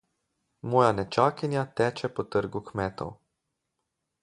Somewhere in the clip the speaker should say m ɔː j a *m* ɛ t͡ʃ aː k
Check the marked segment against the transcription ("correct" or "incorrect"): incorrect